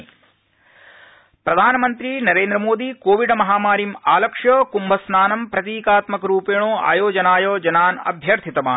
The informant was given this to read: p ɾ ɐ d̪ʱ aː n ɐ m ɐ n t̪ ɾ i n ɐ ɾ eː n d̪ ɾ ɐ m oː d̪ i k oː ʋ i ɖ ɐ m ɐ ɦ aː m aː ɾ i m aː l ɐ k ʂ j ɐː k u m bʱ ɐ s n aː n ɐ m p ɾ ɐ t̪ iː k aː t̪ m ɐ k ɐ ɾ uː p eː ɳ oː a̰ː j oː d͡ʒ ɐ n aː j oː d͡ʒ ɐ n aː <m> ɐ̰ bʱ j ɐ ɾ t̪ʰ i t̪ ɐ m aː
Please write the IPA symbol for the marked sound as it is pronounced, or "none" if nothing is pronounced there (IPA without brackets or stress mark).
n